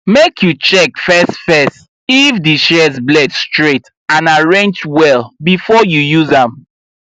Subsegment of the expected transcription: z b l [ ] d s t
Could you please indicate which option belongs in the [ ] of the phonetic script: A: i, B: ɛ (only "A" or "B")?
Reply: B